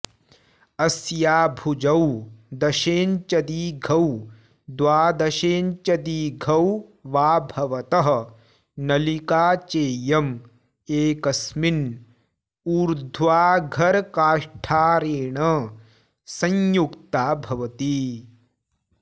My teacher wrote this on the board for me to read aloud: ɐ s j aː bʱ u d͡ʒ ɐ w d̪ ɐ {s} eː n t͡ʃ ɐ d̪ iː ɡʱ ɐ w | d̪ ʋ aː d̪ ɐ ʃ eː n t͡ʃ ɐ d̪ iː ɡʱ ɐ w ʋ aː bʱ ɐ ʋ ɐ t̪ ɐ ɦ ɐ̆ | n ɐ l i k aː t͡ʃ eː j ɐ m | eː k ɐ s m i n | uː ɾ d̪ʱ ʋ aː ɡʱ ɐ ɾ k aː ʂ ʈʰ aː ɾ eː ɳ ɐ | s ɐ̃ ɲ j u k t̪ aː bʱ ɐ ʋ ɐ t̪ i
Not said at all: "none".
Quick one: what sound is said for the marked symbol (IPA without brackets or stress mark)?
ʃ